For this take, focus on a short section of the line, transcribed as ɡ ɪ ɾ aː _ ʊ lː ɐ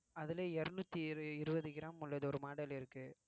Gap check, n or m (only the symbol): m